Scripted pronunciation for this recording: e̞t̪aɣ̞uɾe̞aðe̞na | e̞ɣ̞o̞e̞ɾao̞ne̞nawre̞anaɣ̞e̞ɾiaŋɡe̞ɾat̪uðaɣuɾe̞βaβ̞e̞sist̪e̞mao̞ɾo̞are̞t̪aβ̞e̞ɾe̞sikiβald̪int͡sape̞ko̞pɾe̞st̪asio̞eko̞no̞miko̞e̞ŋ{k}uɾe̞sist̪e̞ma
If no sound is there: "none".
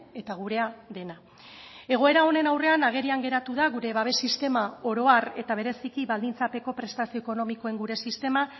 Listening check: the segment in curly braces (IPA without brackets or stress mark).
ɡ